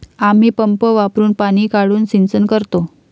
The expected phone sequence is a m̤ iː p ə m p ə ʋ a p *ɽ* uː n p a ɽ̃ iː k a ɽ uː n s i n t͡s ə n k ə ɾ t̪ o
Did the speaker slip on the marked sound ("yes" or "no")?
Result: yes